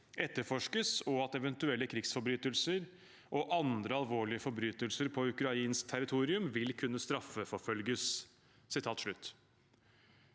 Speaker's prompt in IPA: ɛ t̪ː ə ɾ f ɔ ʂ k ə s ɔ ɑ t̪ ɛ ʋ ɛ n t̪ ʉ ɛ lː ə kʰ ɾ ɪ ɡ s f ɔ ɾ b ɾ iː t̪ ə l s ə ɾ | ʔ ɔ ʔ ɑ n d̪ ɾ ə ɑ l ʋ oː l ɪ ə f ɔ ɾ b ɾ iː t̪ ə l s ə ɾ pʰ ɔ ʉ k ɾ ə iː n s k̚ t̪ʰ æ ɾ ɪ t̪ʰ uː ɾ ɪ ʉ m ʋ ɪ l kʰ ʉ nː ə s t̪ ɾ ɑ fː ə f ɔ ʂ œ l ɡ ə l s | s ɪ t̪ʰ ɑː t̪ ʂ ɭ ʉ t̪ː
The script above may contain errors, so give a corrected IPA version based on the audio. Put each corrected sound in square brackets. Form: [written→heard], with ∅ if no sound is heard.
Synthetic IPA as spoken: ɛ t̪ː ə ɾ f ɔ ʂ k ə s ɔ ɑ t̪ ɛ ʋ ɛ n t̪ ʉ ɛ lː ə kʰ ɾ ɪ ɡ s f ɔ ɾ b ɾ [iː→yː] t̪ ə l s ə ɾ | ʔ ɔ ʔ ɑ n d̪ ɾ ə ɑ l ʋ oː [l→ɭ] ɪ ə f ɔ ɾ b ɾ [iː→yː] t̪ ə l s ə ɾ pʰ ɔ ʉ k ɾ [ə→ɑ] iː n s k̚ t̪ʰ æ ɾ ɪ t̪ʰ uː ɾ ɪ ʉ m ʋ ɪ l kʰ ʉ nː ə s t̪ ɾ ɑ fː ə f ɔ [ʂ→f] œ l ɡ ə [l→∅] s | s ɪ t̪ʰ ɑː t̪ ʂ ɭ ʉ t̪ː